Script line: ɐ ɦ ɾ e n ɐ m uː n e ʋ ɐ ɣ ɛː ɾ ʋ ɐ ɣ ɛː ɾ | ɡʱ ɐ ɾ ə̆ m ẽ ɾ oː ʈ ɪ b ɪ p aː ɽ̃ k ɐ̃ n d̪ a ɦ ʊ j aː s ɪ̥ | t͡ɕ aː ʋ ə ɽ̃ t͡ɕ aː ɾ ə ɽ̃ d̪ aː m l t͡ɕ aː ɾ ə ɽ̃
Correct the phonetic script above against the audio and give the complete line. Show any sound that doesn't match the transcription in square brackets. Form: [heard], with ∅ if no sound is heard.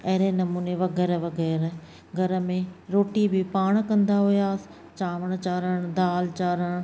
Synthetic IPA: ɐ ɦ ɾ e n ɐ m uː n e ʋ ɐ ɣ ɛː ɾ ʋ ɐ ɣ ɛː ɾ | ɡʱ ɐ ɾ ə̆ m ẽ ɾ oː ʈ [i] b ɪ p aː ɽ̃ k ɐ̃ n d̪ a ɦ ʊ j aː s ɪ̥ | t͡ɕ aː ʋ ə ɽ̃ t͡ɕ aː ɾ ə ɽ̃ d̪ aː [∅] l t͡ɕ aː ɾ ə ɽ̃

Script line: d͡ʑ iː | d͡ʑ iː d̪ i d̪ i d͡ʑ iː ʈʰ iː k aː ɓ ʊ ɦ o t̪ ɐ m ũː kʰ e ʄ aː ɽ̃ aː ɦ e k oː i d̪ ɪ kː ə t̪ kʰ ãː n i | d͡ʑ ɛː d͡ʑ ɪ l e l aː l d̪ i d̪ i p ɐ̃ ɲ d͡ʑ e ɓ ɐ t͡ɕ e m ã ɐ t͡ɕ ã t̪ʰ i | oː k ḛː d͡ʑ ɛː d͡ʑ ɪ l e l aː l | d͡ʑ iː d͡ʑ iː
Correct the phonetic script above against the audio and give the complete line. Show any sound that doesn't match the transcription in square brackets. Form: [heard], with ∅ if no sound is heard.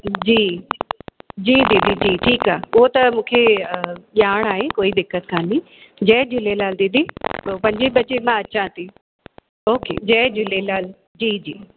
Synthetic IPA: d͡ʑ iː | d͡ʑ iː d̪ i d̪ i d͡ʑ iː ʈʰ iː k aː [∅] ʊ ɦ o t̪ ɐ m ũː kʰ e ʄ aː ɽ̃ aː ɦ e k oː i d̪ ɪ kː ə t̪ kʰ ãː n i | d͡ʑ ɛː d͡ʑ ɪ l e l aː l d̪ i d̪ i p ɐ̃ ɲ d͡ʑ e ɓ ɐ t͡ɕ e m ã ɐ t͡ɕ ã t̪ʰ i | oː k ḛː d͡ʑ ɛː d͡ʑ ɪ l e l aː l | d͡ʑ iː d͡ʑ iː

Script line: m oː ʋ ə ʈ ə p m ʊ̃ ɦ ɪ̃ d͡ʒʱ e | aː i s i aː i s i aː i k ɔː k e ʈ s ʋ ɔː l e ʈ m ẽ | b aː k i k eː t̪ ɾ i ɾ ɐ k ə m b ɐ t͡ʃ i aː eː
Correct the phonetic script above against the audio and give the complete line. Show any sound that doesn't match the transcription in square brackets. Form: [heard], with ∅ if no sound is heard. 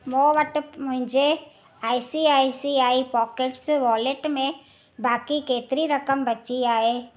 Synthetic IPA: m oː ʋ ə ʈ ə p m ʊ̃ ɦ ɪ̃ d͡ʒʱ e | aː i s i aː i s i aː i [p] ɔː k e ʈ s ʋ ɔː l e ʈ m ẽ | b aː k i k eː t̪ ɾ i ɾ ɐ k ə m b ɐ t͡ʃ i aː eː

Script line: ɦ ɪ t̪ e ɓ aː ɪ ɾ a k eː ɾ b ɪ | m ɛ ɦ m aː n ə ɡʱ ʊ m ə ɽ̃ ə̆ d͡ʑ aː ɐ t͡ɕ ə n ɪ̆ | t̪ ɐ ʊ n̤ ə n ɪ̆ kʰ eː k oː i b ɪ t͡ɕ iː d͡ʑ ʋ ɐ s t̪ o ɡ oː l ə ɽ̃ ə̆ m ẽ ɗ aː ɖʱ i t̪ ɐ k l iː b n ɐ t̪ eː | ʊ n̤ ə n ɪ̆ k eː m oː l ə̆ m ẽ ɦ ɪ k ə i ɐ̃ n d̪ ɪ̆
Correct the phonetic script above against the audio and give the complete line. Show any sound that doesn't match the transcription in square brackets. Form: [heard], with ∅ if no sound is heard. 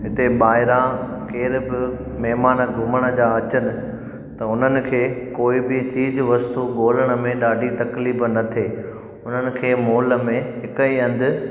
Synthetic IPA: ɦ ɪ t̪ e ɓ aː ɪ ɾ a k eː ɾ b ɪ | m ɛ ɦ m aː n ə ɡʱ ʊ m ə ɽ̃ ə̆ d͡ʑ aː ɐ t͡ɕ ə n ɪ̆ | t̪ ɐ ʊ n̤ ə n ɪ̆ kʰ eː k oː i b ɪ t͡ɕ iː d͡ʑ ʋ ɐ s t̪ [u] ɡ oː l ə ɽ̃ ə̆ m ẽ ɗ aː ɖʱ i t̪ ɐ k l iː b n ɐ [t̪ʰ] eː | ʊ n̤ ə n ɪ̆ [kʰ] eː m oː l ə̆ m ẽ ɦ ɪ k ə i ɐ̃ n d̪ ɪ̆

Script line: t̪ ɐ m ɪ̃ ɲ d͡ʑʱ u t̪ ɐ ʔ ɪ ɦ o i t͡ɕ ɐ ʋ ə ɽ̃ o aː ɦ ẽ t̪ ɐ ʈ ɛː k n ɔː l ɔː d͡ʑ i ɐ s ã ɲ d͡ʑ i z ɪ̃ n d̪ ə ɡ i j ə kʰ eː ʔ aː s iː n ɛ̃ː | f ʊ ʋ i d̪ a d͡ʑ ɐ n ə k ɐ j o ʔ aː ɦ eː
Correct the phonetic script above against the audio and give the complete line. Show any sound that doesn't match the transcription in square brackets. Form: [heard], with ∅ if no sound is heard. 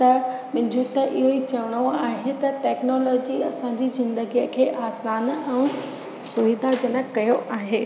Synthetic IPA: t̪ ɐ m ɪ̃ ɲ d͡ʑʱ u t̪ ɐ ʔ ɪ ɦ o i t͡ɕ ɐ ʋ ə ɽ̃ o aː ɦ [e] t̪ ɐ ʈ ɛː k n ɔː l ɔː d͡ʑ i ɐ s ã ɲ d͡ʑ i z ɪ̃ n d̪ ə ɡ i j ə kʰ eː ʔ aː s [aː] n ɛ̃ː | [s] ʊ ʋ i d̪ a d͡ʑ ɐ n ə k ɐ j o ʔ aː ɦ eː

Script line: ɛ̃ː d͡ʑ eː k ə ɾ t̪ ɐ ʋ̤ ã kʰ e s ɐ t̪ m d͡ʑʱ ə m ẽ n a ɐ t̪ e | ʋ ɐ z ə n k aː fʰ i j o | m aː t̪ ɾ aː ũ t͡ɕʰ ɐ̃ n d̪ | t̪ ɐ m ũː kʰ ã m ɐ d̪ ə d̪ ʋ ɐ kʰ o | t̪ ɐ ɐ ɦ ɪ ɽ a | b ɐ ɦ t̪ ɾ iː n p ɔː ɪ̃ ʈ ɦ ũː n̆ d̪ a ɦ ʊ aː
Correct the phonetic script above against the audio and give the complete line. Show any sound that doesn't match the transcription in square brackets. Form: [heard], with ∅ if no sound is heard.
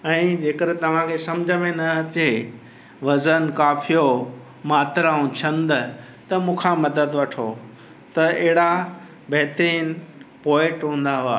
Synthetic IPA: ɛ̃ː d͡ʑ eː k ə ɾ t̪ ɐ ʋ̤ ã kʰ e s ɐ [∅] m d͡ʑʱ ə m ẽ n [ɐ] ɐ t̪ e | ʋ ɐ z ə n k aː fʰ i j o | m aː t̪ ɾ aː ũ t͡ɕʰ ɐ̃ n d̪ | t̪ ɐ m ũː kʰ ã m ɐ d̪ ə d̪ ʋ ɐ [ʈʰ] o | t̪ ɐ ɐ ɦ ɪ ɽ a | b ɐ ɦ t̪ ɾ iː n p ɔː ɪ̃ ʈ ɦ ũː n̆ d̪ a ɦ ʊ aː

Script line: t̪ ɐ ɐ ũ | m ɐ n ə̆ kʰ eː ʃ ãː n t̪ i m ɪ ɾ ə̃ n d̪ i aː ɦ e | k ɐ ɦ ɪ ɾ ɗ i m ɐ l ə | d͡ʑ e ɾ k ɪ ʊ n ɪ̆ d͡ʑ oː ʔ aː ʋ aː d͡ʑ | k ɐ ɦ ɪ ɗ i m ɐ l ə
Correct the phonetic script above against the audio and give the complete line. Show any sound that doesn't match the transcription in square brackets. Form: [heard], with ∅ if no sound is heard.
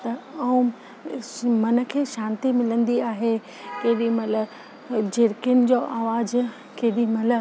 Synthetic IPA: t̪ ɐ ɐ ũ | m ɐ n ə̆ kʰ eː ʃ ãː n t̪ i m ɪ [l] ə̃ n d̪ i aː ɦ e | k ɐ ɦ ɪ [∅] ɗ i m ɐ l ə | d͡ʑ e ɾ k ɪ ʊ n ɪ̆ d͡ʑ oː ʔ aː ʋ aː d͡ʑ | k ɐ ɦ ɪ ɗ i m ɐ l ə

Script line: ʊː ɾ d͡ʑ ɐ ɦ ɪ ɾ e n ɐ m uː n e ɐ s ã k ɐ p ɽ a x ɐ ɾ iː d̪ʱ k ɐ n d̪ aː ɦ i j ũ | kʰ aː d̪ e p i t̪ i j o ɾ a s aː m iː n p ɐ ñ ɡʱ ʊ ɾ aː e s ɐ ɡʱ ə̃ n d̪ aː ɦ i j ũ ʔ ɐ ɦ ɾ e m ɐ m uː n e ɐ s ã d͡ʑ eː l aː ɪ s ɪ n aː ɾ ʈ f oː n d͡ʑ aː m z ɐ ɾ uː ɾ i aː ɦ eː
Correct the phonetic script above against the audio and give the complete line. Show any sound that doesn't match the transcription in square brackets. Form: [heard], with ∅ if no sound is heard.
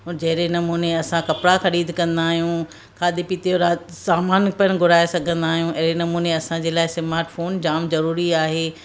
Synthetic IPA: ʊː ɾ d͡ʑ ɐ ɦ ɪ ɾ e n ɐ m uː n e ɐ s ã k ɐ p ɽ a x ɐ ɾ iː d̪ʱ k [ɐ̃] n d̪ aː ɦ i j ũ | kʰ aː d̪ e p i t̪ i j o ɾ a s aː m [aː] n p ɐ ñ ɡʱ ʊ ɾ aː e s ɐ ɡʱ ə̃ n d̪ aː ɦ i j ũ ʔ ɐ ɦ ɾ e [n] ɐ m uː n e ɐ s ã d͡ʑ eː l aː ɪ s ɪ [m] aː ɾ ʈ f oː n d͡ʑ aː m z ɐ ɾ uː ɾ i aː ɦ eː

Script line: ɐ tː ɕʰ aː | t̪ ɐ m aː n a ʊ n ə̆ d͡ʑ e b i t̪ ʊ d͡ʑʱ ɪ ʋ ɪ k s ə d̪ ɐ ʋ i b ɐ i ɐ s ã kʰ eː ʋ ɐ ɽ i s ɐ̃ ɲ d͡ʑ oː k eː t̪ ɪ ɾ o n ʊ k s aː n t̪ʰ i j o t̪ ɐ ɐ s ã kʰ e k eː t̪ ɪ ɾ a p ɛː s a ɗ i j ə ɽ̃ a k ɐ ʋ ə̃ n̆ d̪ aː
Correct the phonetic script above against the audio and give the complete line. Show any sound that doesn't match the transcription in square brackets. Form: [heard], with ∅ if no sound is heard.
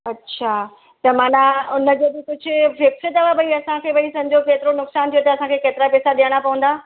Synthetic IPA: ɐ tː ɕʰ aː | t̪ ɐ m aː n a ʊ n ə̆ d͡ʑ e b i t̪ ʊ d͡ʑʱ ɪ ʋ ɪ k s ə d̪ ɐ ʋ [a] b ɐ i ɐ s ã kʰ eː ʋ ɐ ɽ i s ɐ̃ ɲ d͡ʑ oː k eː t̪ ɪ ɾ o n ʊ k s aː n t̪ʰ i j o t̪ ɐ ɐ s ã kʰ e k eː t̪ ɪ ɾ a p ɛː s a ɗ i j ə ɽ̃ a [p] ɐ ʋ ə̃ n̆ d̪ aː

